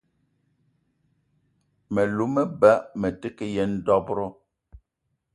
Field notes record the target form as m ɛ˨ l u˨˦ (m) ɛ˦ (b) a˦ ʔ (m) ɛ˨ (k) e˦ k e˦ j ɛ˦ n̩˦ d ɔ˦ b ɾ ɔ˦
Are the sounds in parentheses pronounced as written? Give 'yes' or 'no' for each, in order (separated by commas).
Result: yes, yes, yes, no